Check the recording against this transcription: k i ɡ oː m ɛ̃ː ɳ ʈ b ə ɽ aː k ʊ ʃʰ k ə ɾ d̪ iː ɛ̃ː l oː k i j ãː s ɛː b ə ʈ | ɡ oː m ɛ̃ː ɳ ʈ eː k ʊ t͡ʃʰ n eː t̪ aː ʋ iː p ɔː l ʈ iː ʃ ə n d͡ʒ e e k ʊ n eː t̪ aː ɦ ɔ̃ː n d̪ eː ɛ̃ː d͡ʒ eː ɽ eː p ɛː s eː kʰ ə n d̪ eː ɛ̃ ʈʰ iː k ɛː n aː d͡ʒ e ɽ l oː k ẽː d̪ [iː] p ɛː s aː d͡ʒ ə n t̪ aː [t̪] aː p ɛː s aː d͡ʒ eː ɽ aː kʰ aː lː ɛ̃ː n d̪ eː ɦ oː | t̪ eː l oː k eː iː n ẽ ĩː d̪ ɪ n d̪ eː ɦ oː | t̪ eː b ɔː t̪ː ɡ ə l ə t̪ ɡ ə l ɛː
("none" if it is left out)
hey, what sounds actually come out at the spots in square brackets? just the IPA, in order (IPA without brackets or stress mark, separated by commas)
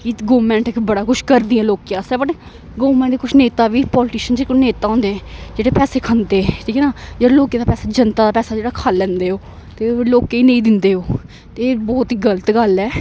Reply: aː, d̪